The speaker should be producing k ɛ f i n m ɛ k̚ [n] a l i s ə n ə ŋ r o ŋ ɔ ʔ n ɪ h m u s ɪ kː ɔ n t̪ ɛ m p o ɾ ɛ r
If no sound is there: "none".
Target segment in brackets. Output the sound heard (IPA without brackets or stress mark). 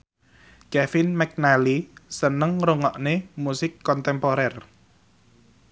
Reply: n